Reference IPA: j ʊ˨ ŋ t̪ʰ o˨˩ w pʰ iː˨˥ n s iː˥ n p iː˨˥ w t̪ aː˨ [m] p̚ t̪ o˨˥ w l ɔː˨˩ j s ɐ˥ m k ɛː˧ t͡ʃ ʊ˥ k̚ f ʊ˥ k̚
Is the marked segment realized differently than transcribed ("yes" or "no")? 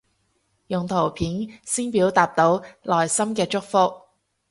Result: yes